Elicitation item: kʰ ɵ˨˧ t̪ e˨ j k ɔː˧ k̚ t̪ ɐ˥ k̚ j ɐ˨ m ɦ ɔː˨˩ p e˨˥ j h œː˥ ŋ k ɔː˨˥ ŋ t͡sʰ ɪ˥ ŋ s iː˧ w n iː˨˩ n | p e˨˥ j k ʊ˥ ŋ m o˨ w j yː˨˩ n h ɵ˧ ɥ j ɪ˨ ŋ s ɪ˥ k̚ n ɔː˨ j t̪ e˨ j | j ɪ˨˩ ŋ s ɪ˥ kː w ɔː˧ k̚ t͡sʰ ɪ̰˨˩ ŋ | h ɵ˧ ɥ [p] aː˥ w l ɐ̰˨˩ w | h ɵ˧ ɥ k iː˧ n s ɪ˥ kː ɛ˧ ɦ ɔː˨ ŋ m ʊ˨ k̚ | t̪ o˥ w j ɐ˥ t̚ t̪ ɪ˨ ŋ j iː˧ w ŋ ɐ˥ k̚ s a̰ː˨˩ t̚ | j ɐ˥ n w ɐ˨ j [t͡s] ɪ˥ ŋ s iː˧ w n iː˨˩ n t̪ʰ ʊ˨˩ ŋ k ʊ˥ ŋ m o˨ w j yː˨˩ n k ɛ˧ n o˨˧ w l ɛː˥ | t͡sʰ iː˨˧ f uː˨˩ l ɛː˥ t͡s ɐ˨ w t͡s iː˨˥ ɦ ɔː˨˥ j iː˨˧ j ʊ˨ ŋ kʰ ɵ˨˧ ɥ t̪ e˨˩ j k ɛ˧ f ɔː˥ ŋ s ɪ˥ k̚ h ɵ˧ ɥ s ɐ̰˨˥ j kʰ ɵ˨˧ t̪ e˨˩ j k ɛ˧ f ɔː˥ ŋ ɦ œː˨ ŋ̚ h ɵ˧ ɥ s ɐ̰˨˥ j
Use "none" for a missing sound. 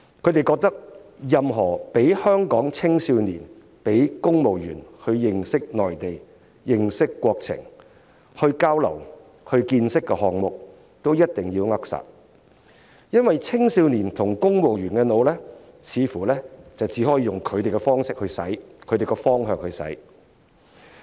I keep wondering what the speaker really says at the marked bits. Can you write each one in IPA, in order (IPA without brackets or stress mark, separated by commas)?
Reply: k, t͡sʰ